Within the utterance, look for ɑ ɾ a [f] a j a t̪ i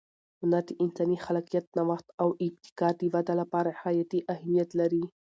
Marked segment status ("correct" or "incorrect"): incorrect